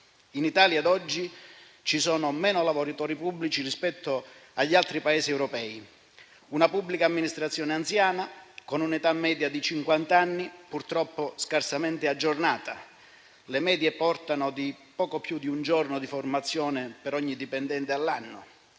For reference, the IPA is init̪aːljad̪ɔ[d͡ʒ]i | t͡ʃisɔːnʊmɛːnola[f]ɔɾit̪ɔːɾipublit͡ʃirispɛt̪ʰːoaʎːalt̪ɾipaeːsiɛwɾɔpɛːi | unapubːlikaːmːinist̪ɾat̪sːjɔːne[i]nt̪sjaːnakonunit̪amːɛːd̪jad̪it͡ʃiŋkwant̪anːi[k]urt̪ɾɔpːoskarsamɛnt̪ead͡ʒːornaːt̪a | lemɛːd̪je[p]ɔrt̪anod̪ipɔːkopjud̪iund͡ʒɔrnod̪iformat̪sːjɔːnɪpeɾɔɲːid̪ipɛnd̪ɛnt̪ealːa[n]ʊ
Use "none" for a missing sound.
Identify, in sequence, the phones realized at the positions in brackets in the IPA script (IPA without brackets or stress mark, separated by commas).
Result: d͡ʒː, v, a, p, p, nː